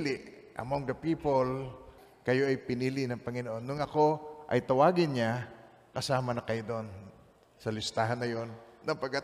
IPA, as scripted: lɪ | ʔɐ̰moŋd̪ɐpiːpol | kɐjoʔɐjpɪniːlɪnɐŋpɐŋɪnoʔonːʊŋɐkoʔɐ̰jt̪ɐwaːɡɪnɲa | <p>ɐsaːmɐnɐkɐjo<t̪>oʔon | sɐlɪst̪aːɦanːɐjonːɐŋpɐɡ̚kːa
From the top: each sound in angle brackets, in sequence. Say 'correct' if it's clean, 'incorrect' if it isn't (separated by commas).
incorrect, incorrect